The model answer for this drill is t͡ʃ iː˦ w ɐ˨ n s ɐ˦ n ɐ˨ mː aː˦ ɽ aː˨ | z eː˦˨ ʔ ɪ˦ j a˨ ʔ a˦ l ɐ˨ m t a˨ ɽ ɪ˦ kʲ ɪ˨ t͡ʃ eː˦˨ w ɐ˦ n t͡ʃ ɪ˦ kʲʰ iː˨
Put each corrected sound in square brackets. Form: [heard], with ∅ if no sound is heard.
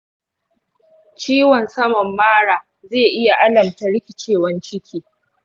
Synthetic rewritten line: t͡ʃ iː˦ w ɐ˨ n s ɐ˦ [m] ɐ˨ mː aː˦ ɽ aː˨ | z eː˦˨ ʔ ɪ˦ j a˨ ʔ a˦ l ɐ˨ m t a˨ ɽ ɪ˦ kʲ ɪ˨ t͡ʃ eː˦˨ w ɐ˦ n t͡ʃ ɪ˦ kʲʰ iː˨